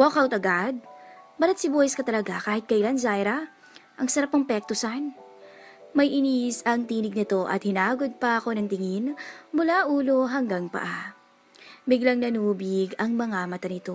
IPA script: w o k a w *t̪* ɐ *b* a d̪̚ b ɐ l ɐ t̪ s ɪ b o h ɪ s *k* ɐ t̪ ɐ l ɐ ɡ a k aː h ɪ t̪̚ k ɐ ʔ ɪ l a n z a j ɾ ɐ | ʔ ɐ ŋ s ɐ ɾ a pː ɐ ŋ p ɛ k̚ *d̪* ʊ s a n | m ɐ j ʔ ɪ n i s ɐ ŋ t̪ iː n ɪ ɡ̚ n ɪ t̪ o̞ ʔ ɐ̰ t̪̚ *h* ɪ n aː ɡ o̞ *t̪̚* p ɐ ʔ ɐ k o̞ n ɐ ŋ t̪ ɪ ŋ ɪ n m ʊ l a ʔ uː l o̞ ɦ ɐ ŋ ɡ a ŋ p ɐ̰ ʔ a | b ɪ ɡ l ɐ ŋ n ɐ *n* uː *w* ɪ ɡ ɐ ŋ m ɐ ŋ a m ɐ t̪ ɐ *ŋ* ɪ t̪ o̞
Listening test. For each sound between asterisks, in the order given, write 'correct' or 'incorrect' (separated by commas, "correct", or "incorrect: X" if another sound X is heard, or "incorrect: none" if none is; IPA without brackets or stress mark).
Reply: correct, incorrect: ɡ, correct, incorrect: t̪, correct, incorrect: d̪̚, correct, incorrect: b, incorrect: n